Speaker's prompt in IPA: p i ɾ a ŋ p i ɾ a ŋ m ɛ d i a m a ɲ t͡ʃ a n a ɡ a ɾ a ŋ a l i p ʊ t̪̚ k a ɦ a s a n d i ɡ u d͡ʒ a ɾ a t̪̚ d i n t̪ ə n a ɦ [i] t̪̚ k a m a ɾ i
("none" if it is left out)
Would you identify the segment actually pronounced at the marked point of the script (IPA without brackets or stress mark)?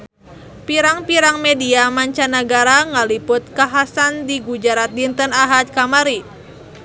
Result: a